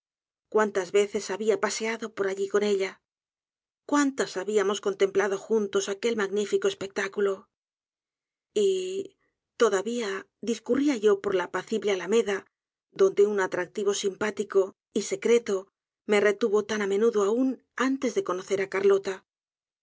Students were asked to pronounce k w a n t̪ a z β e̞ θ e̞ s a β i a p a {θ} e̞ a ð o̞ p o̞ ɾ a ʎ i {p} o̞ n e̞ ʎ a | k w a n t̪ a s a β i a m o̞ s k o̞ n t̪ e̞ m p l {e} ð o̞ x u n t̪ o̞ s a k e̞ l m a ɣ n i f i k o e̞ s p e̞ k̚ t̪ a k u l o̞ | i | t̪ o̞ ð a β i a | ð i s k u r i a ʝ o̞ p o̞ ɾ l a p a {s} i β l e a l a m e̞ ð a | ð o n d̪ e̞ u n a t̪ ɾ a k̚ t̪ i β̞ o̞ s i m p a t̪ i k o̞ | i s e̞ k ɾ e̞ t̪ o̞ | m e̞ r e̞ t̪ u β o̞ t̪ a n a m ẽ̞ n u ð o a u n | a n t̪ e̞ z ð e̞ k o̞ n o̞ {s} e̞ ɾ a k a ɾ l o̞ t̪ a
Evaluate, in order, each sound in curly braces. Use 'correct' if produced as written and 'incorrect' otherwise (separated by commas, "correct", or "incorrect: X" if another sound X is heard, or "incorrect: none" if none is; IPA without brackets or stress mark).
incorrect: s, incorrect: k, incorrect: a, incorrect: θ, incorrect: θ